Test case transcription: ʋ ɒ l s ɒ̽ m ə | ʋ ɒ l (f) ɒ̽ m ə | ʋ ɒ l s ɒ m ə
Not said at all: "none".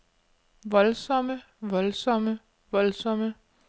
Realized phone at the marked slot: s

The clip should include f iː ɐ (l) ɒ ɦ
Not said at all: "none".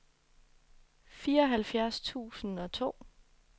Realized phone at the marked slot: none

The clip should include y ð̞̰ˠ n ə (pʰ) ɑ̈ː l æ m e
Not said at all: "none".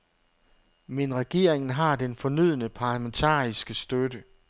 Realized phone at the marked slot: pʰ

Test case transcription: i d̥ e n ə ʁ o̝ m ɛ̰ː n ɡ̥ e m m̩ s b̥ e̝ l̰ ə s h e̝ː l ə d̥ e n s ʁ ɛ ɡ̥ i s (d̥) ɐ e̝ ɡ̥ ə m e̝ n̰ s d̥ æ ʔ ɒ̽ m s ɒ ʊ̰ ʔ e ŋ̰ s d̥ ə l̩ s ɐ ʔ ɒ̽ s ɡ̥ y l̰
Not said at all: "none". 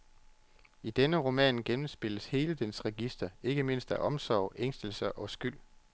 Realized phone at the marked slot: d̥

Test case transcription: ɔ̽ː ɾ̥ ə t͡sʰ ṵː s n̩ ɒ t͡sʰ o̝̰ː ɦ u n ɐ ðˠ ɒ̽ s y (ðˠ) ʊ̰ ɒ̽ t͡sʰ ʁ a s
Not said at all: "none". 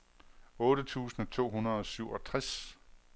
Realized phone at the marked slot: none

